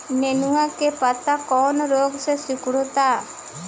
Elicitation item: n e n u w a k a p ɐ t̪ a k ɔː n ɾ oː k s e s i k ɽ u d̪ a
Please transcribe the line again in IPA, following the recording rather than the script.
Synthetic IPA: n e n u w a k e p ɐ t̪ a k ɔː n ɾ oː ɡ s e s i k ɽ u t̪ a